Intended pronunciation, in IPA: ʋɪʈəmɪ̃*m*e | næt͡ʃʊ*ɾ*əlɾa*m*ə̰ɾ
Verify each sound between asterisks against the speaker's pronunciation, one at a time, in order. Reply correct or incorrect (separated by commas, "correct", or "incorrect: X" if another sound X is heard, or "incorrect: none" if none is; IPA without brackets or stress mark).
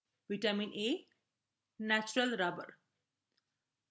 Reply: incorrect: n, correct, incorrect: b